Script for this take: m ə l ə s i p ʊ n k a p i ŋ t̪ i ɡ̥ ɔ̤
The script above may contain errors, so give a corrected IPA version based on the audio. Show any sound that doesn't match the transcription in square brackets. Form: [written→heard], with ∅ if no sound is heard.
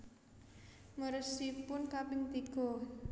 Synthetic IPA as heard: m ə [l→ɾ] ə s i p ʊ n k a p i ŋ t̪ i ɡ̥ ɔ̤